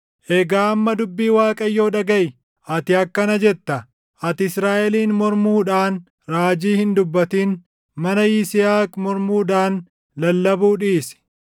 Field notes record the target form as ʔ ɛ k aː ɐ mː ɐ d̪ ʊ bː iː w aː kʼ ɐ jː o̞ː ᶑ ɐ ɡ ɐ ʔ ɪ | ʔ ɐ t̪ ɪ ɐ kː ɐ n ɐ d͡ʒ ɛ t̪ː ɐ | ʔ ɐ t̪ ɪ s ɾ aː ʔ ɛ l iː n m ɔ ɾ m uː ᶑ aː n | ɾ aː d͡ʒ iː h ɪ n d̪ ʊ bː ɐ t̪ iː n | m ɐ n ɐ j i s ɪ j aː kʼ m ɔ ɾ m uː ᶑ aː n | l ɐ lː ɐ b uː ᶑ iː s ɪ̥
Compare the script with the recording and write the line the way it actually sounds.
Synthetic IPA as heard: ʔ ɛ ɡ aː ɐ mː ɐ d̪ ʊ bː iː w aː kʼ ɐ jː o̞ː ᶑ ɐ ɡ ɐ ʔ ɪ | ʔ ɐ t̪ ɪ ɐ kː ɐ n ɐ d͡ʒ ɛ t̪ː ɐ | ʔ ɐ t̪ ɪ s ɾ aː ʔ ɛ l iː n m ɔ ɾ m uː ᶑ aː n | ɾ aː d͡ʒ iː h ɪ n d̪ ʊ bː ɐ t̪ iː n | m ɐ n ɐ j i s ɪ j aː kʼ m ɔ ɾ m uː ᶑ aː n | l ɐ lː ɐ b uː ᶑ iː s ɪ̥

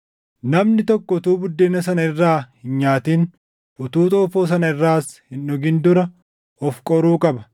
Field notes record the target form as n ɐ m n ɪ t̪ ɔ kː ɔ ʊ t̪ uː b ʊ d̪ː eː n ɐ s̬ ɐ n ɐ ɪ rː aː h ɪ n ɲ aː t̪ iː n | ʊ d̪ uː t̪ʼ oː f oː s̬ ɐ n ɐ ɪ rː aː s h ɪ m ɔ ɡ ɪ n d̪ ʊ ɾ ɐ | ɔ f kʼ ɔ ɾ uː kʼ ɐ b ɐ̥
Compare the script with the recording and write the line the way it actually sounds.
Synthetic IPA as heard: n ɐ m n ɪ t̪ ɔ kː ɔ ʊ t̪ uː b ʊ d̪ː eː n ɐ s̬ ɐ n ɐ ɪ rː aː h ɪ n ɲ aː t̪ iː n | ʊ t̪ uː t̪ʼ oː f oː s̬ ɐ n ɐ ɪ rː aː s h ɪ n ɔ ɡ ɪ n d̪ ʊ ɾ ɐ | ɔ f kʼ ɔ ɾ uː kʼ ɐ b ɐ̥

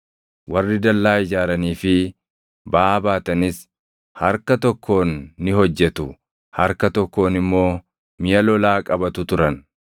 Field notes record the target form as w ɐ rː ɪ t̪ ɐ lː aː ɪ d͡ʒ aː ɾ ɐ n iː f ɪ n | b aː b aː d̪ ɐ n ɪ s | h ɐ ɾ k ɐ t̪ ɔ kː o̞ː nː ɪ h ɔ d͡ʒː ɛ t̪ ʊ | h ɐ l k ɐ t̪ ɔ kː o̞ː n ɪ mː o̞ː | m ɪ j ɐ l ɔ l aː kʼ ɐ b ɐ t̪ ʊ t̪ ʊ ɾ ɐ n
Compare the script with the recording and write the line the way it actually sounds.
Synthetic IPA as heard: w ɐ rː ɪ d̪ ɐ lː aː ɪ d͡ʒ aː ɾ ɐ n iː f ɪ | b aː b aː t̪ ɐ n ɪ s | h ɐ ɾ k ɐ t̪ ɔ kː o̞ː nː ɪ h ɔ d͡ʒː ɛ t̪ ʊ | h ɐ ɾ k ɐ t̪ ɔ kː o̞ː n ɪ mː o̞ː | m ɪ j ɐ l ɔ l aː kʼ ɐ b ɐ t̪ ʊ t̪ ʊ ɾ ɐ n

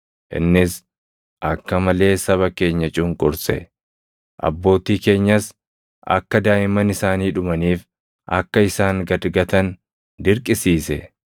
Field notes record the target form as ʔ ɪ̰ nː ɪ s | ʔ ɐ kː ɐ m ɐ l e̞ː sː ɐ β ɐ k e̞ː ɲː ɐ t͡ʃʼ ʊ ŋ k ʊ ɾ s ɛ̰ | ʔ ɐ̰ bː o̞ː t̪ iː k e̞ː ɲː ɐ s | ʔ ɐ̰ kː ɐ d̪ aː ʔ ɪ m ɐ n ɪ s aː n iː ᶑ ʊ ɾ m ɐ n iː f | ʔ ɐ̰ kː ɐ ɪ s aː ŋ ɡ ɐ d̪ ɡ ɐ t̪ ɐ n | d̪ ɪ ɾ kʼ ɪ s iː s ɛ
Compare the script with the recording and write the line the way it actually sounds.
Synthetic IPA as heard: ʔ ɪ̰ nː ɪ s | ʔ ɐ kː ɐ m ɐ l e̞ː s ɐ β ɐ k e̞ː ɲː ɐ t͡ʃʼ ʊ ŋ kʼ ʊ ɾ s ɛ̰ | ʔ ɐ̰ bː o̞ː t̪ iː k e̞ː ɲː ɐ s | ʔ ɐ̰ kː ɐ d̪ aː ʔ ɪ m ɐ n ɪ s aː n iː ᶑ ʊ m ɐ n iː f | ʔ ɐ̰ kː ɐ ɪ s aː ŋ ɡ ɐ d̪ ɡ ɐ t̪ ɐ n | d̪ ɪ ɾ kʼ ɪ s iː s ɛ

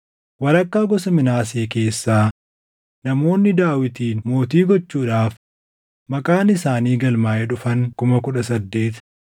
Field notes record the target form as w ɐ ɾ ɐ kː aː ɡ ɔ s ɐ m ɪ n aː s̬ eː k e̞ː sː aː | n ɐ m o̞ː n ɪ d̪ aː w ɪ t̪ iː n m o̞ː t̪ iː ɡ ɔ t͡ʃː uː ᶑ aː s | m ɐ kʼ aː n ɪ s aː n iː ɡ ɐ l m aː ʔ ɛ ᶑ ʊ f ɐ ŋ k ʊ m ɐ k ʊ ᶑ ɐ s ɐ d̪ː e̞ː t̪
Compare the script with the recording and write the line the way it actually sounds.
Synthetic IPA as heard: w ɐ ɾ ɐ kː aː ɡ ɔ s ɐ m ɪ n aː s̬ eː k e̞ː sː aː | n ɐ m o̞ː nː ɪ d̪ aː w ɪ t̪ iː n m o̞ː t̪ iː ɡ ɔ t͡ʃː uː ᶑ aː f | m ɐ kʼ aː n ɪ s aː n iː ɡ ɐ l m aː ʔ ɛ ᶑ ʊ f ɐ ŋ k ʊ m ɐ k ʊ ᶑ ɐ s ɐ d̪ː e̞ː t̪

